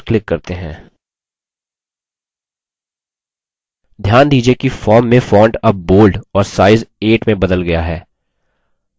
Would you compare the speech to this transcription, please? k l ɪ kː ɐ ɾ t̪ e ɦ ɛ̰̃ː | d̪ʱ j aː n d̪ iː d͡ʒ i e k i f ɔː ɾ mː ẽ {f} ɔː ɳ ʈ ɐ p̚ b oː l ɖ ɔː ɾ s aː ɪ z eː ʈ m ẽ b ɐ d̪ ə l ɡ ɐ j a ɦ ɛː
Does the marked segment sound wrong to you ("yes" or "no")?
no